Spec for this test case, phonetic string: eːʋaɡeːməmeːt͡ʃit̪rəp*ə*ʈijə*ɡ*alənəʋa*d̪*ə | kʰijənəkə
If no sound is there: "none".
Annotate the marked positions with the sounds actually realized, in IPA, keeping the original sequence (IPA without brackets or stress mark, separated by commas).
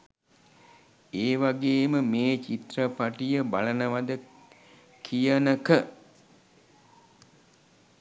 a, b, d̪